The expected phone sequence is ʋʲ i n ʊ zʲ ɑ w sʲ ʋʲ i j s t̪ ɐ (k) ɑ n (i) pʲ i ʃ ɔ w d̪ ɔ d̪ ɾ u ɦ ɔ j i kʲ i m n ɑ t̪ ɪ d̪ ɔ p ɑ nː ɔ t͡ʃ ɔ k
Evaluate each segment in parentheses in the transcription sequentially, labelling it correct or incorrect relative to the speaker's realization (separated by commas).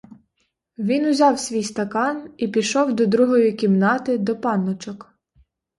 correct, correct